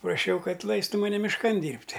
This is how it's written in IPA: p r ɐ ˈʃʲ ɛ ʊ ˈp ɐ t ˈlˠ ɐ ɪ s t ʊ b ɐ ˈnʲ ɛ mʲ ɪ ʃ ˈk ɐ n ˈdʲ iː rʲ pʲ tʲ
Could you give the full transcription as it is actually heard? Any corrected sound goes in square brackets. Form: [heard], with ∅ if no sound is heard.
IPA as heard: p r ɐ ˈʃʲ ɛ ʊ [ˈk] ɐ t ˈlˠ ɐ ɪ s t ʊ [m] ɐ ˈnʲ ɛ mʲ ɪ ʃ ˈk ɐ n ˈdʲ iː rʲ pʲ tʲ